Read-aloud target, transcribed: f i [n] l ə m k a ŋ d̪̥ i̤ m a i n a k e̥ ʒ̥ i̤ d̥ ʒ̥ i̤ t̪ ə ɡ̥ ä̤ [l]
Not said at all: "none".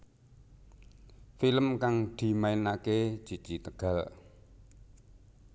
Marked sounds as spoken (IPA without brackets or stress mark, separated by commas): none, l